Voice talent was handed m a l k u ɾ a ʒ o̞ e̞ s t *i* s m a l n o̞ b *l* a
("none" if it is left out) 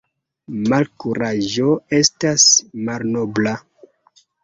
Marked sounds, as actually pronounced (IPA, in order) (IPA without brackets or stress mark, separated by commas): a, l